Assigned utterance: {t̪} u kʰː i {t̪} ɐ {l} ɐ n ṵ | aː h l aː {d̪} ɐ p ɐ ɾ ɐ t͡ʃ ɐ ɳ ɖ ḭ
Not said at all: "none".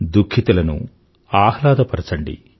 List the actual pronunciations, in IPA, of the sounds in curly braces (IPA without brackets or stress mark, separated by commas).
d̪, t̪, l, d̪